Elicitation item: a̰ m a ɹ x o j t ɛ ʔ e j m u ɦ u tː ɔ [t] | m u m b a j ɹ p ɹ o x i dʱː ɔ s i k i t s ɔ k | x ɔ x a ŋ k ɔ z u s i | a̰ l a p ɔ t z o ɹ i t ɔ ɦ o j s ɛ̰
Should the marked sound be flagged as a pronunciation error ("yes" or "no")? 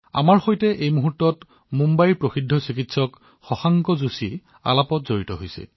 no